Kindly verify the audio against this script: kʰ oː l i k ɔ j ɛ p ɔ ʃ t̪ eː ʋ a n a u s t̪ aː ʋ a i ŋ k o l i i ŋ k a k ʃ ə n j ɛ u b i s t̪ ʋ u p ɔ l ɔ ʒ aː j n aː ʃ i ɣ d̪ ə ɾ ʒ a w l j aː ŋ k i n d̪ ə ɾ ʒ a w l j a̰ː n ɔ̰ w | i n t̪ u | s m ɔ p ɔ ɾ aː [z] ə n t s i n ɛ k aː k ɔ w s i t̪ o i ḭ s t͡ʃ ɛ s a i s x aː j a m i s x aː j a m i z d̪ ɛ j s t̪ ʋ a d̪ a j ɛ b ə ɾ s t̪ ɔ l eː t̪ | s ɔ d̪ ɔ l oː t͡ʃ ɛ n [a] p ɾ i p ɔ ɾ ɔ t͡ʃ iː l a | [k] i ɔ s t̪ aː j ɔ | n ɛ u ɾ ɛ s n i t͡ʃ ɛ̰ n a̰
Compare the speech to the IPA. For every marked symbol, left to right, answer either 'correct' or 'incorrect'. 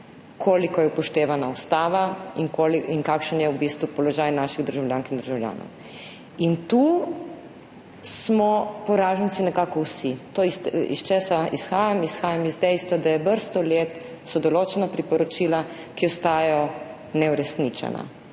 incorrect, correct, correct

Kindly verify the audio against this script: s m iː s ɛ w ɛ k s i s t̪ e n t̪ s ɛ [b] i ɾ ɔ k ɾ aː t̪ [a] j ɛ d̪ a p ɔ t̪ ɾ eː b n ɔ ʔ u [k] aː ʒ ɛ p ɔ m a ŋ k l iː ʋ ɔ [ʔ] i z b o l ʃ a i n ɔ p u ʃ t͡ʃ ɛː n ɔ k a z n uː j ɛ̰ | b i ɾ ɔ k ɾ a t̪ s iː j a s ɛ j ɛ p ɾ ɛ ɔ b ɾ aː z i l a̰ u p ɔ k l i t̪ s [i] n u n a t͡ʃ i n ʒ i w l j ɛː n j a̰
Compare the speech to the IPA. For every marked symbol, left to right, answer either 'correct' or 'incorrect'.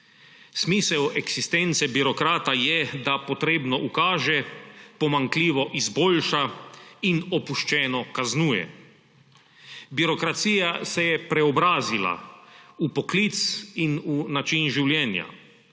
correct, correct, correct, correct, correct

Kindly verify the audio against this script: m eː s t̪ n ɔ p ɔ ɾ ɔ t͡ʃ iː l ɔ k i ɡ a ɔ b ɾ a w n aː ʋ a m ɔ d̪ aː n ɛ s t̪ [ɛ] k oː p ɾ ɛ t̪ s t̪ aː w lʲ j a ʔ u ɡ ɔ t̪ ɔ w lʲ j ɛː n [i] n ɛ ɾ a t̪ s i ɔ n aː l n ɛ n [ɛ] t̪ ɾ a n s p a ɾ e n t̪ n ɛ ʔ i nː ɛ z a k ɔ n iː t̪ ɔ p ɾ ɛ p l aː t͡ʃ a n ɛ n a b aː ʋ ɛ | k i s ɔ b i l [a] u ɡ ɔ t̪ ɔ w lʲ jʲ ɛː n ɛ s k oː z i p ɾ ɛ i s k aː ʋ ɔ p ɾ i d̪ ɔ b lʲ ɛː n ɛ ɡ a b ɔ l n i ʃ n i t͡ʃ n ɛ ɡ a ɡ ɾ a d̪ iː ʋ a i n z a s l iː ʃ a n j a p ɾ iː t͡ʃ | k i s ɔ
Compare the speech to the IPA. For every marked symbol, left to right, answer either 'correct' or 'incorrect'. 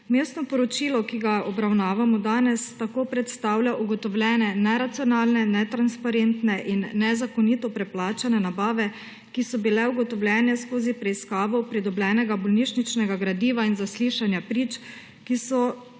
incorrect, incorrect, correct, incorrect

